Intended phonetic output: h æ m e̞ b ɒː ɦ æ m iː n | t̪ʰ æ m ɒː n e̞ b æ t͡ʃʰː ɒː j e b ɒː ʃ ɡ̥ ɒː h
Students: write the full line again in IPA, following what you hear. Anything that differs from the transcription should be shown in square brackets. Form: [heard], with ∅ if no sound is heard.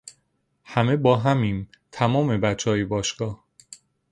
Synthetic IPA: h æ m e̞ b ɒː ɦ æ m iː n | t̪ʰ æ m ɒː [m] e̞ b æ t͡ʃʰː ɒː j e b ɒː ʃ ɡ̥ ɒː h